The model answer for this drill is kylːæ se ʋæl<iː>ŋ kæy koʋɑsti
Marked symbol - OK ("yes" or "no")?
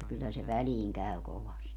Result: yes